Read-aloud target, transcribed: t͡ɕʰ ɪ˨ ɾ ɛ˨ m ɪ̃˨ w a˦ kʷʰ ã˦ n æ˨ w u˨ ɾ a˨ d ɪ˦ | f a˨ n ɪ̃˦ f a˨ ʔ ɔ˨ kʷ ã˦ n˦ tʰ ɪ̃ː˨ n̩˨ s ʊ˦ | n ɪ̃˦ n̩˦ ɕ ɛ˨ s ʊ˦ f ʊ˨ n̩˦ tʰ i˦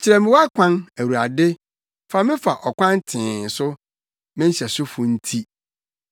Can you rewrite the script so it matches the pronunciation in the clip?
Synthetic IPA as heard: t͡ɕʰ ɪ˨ ɾ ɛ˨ m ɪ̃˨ w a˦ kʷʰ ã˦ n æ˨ w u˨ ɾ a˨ d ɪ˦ | f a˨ m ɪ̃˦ f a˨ ʔ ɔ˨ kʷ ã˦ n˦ tʰ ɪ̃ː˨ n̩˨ s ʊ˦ | m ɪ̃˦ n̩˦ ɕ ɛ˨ s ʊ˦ f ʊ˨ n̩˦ tʰ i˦